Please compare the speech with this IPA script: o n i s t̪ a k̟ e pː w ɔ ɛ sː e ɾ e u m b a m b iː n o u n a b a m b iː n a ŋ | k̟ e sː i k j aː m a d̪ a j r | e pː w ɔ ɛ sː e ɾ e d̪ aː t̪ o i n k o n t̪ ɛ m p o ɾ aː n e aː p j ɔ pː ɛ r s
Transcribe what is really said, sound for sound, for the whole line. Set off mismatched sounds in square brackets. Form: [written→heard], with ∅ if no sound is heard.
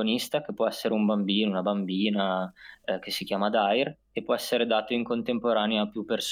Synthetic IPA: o n i s t̪ a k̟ e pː w ɔ ɛ sː e ɾ e u m b a m b iː n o u n a b a m b iː n a [ŋ→∅] | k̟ e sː i k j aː m a d̪ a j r | e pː w ɔ ɛ sː e ɾ e d̪ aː t̪ o i [n→ŋ] k o n t̪ [ɛ→e] m p o ɾ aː n e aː p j [ɔ→u] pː [ɛ→e] r s